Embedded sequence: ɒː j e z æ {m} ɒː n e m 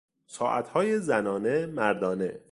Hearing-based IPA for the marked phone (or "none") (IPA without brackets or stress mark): n